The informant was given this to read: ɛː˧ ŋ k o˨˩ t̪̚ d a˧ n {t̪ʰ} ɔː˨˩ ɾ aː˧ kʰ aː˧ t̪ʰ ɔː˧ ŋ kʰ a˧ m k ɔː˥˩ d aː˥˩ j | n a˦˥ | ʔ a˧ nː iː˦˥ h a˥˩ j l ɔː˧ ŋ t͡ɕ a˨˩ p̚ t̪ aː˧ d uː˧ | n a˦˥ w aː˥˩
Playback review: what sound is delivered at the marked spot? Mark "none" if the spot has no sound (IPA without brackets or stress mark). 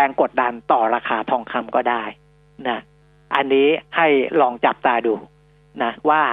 t̪